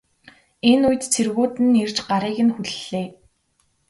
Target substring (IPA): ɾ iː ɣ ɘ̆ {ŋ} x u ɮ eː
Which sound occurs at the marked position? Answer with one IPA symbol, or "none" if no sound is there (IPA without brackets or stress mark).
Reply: n